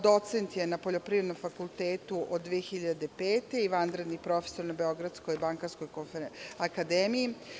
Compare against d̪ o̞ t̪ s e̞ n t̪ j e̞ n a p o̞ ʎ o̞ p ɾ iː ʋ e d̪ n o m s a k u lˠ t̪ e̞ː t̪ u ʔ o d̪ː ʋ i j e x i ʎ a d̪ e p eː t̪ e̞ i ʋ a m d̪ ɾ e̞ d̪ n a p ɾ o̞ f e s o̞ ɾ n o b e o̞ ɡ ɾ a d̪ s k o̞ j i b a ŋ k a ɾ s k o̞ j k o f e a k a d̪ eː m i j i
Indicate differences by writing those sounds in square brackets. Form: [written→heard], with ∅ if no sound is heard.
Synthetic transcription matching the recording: d̪ o̞ t̪ s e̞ n t̪ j e̞ n a p o̞ ʎ o̞ p ɾ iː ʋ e d̪ n o m [s→f] a k u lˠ t̪ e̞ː t̪ u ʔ o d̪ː ʋ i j e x i ʎ a d̪ e p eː t̪ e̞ i ʋ a [m→n] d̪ ɾ e̞ d̪ n [a→i] p ɾ o̞ f e s o̞ ɾ n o b e o̞ ɡ ɾ a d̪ s k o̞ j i b a ŋ k a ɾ s k o̞ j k o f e a k a d̪ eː m i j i